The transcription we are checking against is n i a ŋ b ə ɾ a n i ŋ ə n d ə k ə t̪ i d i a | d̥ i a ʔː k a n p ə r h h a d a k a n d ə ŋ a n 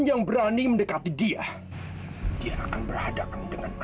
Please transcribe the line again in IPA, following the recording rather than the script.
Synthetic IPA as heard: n j a ŋ b ə ɾ a n i m ə n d ə k a t̪ i d i a | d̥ i a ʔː k a n b ə r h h a d a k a n d ə ŋ a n